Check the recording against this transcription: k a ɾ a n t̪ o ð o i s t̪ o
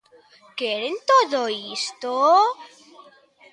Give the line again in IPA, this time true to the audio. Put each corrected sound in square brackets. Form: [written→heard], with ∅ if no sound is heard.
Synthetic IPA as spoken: k [a→e] ɾ [a→e] n t̪ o ð o i s t̪ o